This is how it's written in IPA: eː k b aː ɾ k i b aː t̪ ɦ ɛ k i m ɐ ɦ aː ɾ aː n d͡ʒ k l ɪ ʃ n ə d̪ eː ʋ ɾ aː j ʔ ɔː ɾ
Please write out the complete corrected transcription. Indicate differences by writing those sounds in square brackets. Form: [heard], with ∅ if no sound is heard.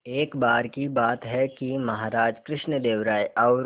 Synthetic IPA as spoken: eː k b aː ɾ k i b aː t̪ ɦ ɛ k i m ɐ ɦ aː ɾ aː [∅] d͡ʒ k [ɾ] ɪ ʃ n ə d̪ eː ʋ ɾ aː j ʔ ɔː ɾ